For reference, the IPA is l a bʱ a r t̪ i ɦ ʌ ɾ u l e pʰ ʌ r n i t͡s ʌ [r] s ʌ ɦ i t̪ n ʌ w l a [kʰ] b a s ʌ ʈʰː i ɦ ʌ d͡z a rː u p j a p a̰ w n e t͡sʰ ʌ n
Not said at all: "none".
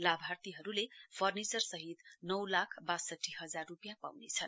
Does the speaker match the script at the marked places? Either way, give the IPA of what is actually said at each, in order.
r, kʰ

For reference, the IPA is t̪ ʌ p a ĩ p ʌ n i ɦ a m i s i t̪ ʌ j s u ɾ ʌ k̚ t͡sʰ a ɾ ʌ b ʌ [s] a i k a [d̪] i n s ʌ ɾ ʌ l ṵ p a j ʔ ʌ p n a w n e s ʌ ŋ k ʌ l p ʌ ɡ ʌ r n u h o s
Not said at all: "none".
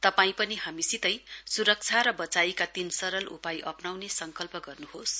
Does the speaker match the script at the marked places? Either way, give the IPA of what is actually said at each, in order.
t͡s, t̪

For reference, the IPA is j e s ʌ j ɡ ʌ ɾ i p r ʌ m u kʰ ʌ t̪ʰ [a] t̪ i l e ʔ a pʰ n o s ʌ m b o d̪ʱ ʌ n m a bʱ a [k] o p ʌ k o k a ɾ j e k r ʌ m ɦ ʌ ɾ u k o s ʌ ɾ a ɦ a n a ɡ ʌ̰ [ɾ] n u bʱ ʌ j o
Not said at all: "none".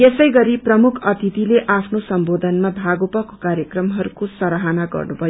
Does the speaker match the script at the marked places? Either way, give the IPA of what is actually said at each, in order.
i, ɡ, r

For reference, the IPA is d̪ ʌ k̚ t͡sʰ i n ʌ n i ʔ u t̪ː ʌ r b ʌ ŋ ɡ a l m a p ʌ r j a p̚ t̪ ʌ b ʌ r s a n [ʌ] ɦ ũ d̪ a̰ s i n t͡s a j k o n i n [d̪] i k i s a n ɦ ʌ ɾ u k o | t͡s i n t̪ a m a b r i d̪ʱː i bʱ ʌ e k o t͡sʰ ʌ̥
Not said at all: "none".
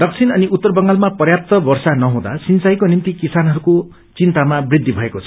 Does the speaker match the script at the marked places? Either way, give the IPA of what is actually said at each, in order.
ʌ, t̪

